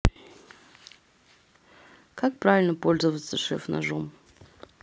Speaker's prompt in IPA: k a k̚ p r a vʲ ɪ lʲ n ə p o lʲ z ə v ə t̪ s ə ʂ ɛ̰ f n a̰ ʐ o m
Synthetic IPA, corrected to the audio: k a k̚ p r a vʲ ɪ lʲ n ə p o lʲ z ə v ə t̪ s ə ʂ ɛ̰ f n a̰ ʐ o m